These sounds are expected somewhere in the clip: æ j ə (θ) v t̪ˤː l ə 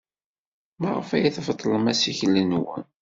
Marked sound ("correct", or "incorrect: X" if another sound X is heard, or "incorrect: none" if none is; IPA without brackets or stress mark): correct